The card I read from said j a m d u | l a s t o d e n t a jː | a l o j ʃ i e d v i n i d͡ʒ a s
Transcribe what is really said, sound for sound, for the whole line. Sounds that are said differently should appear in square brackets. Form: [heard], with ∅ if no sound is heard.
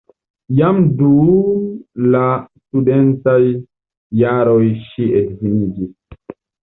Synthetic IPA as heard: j a m d u | l a s t [u] d e n t a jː | a [ɾ] o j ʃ i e d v i n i d͡ʒ [i] s